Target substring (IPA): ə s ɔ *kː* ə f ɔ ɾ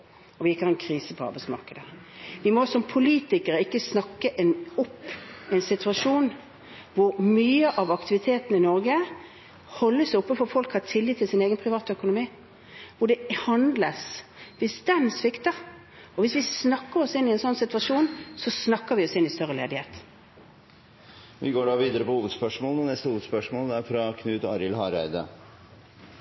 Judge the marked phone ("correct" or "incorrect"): incorrect